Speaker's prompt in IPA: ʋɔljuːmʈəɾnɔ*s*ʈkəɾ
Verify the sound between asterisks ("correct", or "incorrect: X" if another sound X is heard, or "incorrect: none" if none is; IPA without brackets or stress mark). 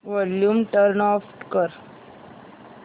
incorrect: f